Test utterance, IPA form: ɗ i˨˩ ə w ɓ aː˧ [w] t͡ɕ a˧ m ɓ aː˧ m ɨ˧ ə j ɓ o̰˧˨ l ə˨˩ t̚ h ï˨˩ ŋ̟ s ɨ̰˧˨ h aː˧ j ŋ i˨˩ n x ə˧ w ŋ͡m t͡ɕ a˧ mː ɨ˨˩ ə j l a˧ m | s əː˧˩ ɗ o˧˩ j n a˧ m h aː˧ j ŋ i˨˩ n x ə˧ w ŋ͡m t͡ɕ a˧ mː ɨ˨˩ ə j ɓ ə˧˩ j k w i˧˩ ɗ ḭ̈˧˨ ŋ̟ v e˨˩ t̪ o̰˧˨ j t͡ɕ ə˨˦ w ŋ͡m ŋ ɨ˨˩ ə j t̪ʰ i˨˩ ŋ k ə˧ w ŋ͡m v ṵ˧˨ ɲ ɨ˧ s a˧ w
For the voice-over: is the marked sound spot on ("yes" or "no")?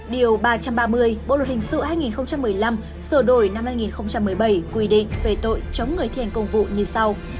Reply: no